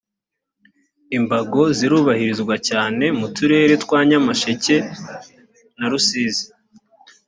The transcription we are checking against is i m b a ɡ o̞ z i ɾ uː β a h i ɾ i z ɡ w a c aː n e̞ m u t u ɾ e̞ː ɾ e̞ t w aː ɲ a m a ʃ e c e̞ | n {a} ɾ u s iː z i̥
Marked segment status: correct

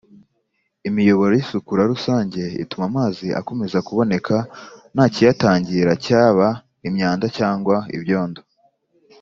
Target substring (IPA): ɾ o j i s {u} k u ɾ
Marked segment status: correct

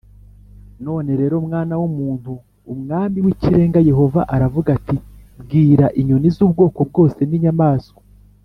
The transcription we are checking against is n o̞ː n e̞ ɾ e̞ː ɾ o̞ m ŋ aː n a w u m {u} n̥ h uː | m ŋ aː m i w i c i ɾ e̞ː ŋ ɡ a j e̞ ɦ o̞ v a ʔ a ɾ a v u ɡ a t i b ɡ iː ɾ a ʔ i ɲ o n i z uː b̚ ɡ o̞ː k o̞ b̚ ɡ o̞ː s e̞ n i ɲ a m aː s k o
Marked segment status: incorrect: uː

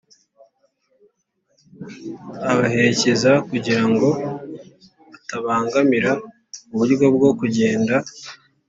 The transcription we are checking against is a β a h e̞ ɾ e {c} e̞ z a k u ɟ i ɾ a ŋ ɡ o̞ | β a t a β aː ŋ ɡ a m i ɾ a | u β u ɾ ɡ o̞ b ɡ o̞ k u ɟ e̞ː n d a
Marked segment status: correct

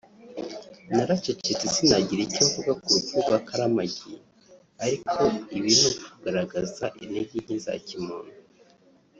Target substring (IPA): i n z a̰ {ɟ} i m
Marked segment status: incorrect: c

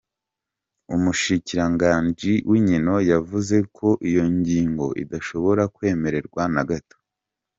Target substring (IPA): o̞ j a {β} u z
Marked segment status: incorrect: v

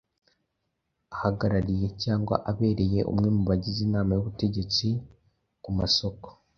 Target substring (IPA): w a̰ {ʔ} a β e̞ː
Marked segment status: correct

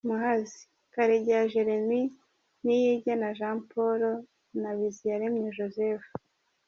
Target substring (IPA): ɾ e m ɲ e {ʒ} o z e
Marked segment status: correct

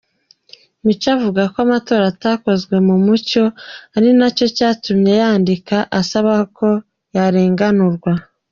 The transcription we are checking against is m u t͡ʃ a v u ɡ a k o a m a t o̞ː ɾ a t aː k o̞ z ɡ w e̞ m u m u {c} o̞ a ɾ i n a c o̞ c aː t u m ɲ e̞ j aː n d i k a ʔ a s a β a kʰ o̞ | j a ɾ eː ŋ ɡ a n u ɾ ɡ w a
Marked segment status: correct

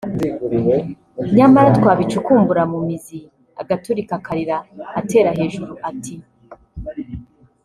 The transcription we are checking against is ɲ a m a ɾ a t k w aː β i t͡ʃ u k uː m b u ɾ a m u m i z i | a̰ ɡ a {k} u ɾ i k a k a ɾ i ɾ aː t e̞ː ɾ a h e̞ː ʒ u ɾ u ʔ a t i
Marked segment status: incorrect: t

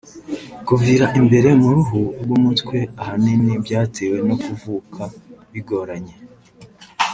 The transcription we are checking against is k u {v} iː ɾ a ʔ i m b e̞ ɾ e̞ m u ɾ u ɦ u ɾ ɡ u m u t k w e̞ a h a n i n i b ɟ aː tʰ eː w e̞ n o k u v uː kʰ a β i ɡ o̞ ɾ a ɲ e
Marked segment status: correct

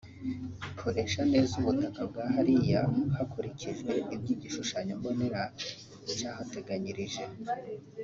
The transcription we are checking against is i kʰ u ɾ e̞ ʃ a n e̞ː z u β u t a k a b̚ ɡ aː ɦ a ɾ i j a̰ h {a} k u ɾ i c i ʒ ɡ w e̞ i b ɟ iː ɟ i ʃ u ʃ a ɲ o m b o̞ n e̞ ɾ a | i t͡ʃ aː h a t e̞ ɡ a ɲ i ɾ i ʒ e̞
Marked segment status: correct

